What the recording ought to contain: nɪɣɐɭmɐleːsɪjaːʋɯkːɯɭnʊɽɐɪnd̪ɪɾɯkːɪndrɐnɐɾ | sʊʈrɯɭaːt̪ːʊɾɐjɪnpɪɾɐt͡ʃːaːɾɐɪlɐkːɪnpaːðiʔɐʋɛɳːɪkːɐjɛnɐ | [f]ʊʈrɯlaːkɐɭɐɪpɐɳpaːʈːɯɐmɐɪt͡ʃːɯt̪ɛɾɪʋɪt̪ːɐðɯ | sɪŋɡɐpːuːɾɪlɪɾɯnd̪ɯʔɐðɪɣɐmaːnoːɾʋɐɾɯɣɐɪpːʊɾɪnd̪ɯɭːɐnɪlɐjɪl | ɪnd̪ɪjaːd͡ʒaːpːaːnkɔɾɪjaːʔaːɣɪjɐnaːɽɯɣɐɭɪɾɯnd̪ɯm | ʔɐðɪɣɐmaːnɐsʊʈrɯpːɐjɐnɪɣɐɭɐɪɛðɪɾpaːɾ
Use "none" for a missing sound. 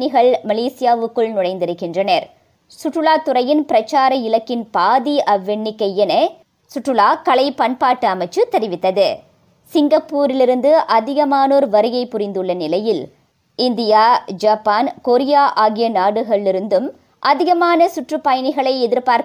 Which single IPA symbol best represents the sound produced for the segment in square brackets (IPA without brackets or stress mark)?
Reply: s